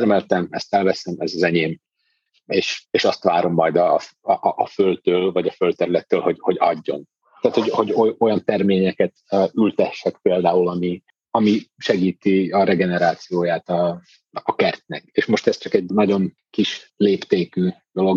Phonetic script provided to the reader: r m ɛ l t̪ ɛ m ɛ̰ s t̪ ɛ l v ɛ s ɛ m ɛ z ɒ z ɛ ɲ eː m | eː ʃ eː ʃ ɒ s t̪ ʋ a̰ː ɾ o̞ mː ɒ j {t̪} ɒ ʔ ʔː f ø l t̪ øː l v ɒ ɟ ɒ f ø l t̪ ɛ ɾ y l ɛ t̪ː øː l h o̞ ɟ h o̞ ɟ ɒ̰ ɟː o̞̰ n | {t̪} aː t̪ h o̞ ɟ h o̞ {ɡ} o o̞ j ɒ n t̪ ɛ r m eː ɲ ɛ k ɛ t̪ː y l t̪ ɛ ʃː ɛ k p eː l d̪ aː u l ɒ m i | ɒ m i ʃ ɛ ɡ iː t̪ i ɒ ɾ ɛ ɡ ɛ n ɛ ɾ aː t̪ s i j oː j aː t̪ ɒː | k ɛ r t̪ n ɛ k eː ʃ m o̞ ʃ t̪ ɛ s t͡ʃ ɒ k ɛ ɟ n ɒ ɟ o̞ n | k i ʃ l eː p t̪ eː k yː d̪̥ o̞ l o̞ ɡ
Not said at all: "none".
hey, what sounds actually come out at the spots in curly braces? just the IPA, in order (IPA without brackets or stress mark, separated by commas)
d̪, t̪, ɟ